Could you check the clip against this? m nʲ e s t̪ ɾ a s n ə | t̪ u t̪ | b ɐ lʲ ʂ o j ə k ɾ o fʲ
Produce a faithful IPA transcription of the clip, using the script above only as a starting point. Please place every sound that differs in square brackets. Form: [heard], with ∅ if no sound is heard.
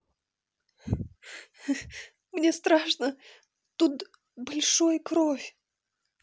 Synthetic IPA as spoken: m nʲ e s t̪ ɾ a [ʂ] n ə | t̪ u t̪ | b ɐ lʲ ʂ o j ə k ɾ o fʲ